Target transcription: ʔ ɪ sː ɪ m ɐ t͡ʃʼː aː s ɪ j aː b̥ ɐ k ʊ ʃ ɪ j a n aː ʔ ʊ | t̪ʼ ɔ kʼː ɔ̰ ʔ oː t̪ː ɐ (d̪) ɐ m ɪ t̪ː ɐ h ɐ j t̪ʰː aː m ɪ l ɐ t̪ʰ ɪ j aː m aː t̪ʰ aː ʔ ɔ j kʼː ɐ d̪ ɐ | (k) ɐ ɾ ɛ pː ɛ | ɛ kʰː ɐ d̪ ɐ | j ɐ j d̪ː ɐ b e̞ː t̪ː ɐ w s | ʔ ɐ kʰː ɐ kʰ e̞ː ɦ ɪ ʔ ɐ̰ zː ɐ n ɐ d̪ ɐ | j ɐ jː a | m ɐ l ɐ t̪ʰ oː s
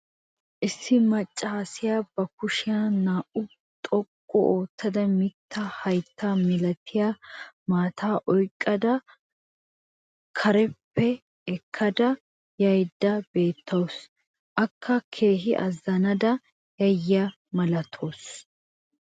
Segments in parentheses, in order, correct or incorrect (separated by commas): correct, incorrect